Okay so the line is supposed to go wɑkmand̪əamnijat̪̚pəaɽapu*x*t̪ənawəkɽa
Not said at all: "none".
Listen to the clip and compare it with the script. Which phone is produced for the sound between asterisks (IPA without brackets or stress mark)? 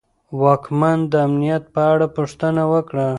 ʂ